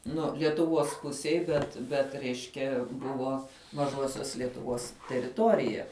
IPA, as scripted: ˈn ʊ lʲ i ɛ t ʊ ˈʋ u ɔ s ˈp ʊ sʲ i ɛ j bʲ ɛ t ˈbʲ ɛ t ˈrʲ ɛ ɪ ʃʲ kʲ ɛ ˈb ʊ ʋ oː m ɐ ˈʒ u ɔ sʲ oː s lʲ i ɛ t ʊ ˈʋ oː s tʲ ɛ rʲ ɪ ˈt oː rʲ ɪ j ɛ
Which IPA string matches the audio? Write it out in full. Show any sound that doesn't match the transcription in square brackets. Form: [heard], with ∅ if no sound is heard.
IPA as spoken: ˈn ʊ lʲ i ɛ t ʊ ˈʋ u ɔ s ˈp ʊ sʲ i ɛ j bʲ ɛ t ˈbʲ ɛ t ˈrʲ ɛ ɪ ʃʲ kʲ ɛ ˈb ʊ ʋ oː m ɐ ˈʒ u ɔ sʲ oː s lʲ i ɛ t ʊ ˈʋ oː s tʲ ɛ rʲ ɪ ˈt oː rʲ ɪ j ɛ